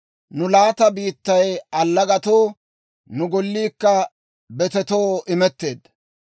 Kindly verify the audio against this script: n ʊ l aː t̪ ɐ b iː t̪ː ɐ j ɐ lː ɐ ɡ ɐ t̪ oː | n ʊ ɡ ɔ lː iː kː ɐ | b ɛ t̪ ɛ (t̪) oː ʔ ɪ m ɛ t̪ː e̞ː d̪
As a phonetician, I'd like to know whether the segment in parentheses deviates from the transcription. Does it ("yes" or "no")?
no